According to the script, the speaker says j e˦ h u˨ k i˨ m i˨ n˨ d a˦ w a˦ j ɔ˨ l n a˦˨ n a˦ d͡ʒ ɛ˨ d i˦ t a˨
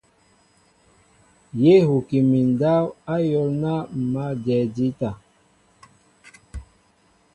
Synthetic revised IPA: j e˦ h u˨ k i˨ m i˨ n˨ d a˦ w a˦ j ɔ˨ l n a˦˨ m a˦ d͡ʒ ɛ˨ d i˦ t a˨